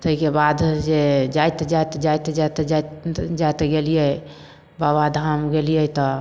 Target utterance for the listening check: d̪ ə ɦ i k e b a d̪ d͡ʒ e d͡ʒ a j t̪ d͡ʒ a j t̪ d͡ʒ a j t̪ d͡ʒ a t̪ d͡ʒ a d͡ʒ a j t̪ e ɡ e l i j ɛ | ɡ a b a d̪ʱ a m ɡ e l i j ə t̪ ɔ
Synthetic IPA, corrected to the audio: t̪ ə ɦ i k e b a d̪ d͡ʒ e d͡ʒ a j t̪ d͡ʒ a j t̪ d͡ʒ a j t̪ d͡ʒ a t̪ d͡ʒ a d͡ʒ a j t̪ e ɡ e l i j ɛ | b a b a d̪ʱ a m ɡ e l i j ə t̪ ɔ